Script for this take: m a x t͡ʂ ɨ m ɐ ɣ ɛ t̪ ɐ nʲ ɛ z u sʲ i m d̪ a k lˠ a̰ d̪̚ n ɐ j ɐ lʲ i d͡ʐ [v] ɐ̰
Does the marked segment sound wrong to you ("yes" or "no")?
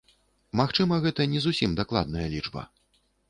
yes